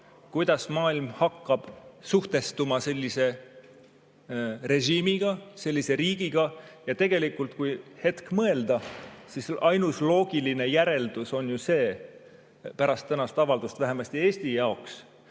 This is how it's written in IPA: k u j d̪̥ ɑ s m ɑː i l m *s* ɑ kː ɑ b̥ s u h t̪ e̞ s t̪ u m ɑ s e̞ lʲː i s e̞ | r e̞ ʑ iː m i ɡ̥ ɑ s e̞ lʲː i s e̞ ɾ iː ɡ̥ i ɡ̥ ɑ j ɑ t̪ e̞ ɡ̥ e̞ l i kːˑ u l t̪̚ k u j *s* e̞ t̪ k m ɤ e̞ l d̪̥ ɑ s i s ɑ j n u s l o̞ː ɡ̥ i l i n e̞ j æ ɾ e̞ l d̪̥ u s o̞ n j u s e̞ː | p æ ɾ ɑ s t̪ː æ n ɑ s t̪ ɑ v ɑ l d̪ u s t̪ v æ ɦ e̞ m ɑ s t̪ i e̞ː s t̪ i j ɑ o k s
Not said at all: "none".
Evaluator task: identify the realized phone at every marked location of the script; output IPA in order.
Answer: h, h

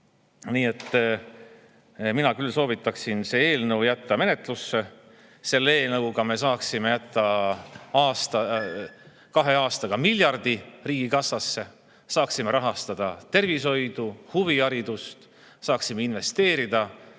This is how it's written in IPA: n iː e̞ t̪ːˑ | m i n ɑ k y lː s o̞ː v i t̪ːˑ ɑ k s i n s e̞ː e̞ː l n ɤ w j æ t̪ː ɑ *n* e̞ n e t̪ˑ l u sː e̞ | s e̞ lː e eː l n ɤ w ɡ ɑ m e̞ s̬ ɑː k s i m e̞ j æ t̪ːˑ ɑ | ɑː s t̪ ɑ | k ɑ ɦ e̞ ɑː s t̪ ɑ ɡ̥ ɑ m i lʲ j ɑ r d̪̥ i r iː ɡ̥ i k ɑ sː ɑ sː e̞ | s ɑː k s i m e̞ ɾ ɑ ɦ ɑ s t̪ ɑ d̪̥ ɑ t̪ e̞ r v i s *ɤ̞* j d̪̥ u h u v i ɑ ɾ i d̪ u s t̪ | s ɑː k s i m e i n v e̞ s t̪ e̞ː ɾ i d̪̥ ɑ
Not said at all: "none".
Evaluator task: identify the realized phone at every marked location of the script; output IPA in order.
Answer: m, o̞

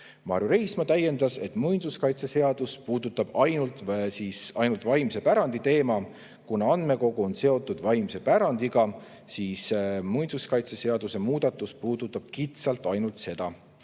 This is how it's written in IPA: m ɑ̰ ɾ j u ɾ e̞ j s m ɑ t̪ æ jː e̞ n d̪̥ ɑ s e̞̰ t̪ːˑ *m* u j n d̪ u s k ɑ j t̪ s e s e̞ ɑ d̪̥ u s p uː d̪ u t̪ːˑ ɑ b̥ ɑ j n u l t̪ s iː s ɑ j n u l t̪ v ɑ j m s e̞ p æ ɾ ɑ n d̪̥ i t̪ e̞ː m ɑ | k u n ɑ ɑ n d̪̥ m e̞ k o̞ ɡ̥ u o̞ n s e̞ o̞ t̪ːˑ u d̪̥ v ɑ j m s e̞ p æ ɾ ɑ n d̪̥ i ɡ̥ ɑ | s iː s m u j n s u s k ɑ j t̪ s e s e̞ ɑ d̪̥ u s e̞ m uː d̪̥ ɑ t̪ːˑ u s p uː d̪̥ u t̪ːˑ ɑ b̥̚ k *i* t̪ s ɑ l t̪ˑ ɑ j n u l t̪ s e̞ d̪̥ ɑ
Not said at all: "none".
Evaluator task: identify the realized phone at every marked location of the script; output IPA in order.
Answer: m, i

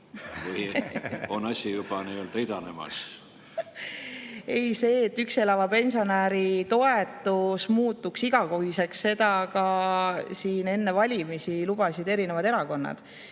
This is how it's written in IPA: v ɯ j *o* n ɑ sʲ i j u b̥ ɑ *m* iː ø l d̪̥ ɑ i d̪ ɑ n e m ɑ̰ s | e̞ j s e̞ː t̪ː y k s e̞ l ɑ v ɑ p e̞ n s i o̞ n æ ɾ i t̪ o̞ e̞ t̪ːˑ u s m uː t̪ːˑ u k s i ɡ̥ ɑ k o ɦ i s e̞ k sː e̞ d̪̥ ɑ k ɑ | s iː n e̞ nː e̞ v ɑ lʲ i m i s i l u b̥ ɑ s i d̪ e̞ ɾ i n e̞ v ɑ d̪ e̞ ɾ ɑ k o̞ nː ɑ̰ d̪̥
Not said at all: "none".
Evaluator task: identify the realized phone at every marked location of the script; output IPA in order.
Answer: o, n

